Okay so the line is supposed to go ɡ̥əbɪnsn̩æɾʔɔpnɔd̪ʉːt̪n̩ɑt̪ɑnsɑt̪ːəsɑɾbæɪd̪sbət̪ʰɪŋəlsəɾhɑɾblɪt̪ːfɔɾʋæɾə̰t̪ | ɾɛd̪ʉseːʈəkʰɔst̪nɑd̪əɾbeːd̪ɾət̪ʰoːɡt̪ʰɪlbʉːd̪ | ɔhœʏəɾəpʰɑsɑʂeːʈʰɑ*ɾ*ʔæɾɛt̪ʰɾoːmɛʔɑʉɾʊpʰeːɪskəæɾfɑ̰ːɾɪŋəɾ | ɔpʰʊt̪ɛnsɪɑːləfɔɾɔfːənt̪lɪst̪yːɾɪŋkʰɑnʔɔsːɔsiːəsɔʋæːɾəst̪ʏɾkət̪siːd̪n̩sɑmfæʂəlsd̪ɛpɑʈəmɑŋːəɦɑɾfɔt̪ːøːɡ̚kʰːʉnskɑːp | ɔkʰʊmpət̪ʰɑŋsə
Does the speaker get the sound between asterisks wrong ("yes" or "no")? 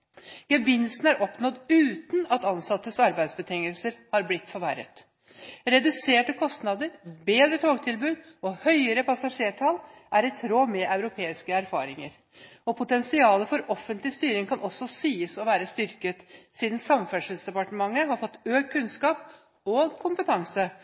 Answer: yes